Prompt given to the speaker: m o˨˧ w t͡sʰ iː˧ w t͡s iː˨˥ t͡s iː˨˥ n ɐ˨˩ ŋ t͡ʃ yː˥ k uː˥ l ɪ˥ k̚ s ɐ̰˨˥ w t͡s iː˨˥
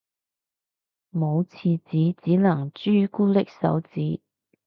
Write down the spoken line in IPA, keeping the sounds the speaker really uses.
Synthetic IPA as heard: m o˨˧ w t͡sʰ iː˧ t͡s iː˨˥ t͡s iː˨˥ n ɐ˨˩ ŋ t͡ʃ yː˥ k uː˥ l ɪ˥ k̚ s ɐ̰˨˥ w t͡s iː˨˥